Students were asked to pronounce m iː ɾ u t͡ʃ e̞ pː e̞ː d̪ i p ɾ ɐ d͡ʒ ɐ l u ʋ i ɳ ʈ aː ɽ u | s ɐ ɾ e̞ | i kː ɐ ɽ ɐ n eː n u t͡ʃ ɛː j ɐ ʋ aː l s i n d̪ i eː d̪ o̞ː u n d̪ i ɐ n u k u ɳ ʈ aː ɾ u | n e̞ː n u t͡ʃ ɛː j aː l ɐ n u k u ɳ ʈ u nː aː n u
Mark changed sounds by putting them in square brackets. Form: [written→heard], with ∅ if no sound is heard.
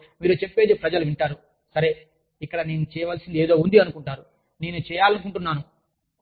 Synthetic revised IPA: m iː ɾ u t͡ʃ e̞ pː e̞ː d̪ i p ɾ ɐ d͡ʒ ɐ l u ʋ i ɳ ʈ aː [ɽ→ɾ] u | s ɐ ɾ e̞ | i kː ɐ ɽ ɐ n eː n u t͡ʃ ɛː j ɐ ʋ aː l s i n d̪ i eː d̪ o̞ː u n d̪ i ɐ n u k u ɳ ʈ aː ɾ u | n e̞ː n u t͡ʃ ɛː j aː l ɐ n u k u ɳ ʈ u nː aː n u